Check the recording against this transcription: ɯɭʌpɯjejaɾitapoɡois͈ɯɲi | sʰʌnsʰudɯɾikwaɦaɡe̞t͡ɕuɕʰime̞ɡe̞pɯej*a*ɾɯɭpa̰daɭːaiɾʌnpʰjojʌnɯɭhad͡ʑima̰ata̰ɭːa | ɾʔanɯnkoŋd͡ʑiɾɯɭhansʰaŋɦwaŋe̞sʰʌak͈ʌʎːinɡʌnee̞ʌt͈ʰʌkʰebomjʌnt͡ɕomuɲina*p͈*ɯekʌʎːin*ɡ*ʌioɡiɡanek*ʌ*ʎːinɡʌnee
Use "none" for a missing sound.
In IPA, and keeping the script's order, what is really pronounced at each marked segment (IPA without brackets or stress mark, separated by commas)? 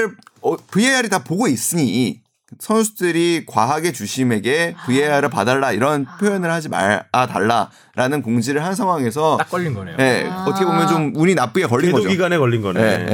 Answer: a, p͈, ɡ, ʌ